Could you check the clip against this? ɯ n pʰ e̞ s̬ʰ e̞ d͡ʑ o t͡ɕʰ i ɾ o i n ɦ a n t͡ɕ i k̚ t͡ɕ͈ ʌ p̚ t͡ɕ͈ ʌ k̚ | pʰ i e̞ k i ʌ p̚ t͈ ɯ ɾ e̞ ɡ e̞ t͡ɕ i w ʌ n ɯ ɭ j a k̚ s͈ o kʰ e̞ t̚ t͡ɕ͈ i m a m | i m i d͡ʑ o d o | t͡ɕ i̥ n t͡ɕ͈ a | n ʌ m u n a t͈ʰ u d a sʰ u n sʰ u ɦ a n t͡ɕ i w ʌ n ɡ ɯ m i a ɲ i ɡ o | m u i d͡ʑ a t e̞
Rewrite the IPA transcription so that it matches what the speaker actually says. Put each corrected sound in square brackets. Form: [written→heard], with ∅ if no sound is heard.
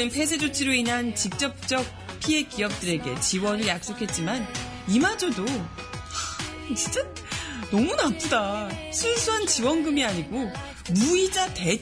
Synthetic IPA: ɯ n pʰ e̞ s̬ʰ e̞ d͡ʑ o t͡ɕʰ i ɾ o i n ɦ a n t͡ɕ i k̚ t͡ɕ͈ ʌ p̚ t͡ɕ͈ ʌ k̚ | pʰ i e̞ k i ʌ p̚ t͈ ɯ ɾ e̞ ɡ e̞ t͡ɕ i w ʌ n ɯ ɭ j a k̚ s͈ o kʰ e̞ t̚ t͡ɕ͈ i m a [m→n] | i m [i→a] d͡ʑ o d o | t͡ɕ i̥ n t͡ɕ͈ a | n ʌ m u n a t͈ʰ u d a sʰ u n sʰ u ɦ a n t͡ɕ i w ʌ n ɡ ɯ m i a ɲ i ɡ o | m u i d͡ʑ a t e̞